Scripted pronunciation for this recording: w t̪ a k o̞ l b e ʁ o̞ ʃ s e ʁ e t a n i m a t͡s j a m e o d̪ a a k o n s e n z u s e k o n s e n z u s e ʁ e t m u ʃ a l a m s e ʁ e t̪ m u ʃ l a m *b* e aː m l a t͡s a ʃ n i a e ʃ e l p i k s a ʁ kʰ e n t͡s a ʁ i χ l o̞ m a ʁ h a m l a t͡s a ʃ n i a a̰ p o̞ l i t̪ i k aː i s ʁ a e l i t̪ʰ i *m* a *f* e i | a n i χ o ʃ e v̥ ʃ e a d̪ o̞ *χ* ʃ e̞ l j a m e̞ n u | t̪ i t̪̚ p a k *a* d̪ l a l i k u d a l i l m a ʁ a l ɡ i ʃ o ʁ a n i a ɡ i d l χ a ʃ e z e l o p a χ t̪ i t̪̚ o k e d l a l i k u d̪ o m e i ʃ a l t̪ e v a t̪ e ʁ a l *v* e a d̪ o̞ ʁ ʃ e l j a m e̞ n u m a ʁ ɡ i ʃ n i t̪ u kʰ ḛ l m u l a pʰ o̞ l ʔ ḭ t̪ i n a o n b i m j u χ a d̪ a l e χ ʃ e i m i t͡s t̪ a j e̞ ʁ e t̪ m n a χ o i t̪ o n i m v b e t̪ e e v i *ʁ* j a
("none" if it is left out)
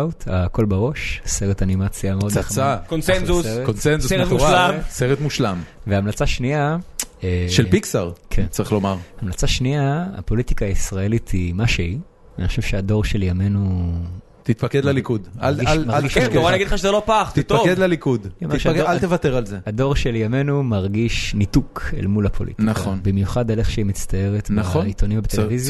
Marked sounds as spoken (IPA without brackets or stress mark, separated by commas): v, m, ʃ, ʁ, e, z, z